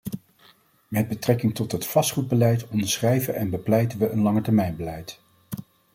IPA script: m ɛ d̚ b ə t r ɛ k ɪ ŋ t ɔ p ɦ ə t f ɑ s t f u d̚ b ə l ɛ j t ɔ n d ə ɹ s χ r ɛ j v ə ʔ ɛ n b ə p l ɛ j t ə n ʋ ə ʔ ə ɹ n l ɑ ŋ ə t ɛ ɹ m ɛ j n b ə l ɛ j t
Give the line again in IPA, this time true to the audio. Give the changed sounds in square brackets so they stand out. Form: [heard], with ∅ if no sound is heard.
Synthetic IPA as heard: m ɛ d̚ b ə t r ɛ k ɪ ŋ t ɔ [t] ɦ ə t f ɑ s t [χ] u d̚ b ə l ɛ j t ɔ n d ə ɹ s χ r ɛ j v ə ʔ ɛ n b ə p l ɛ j t ə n ʋ ə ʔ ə [∅] n l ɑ ŋ ə t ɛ ɹ m ɛ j n b ə l ɛ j t